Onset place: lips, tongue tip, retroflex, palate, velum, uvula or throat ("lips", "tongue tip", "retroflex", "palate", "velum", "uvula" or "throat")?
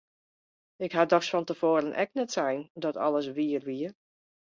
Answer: velum